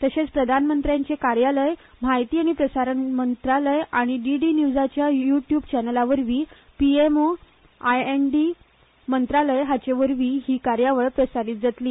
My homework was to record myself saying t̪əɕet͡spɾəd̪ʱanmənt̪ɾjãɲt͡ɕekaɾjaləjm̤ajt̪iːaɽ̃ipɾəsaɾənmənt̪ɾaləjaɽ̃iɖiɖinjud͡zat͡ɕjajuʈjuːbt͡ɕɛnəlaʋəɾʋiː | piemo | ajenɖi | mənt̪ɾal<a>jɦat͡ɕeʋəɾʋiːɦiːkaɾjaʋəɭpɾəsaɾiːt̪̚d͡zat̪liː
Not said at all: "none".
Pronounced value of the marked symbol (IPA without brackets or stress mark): ə